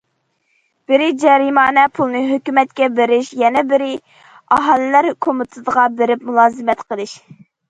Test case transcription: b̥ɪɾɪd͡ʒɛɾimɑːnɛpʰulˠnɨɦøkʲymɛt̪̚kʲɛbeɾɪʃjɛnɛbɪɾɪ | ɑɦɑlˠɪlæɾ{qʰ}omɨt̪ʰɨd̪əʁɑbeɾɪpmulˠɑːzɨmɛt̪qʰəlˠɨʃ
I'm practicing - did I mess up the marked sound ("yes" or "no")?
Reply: yes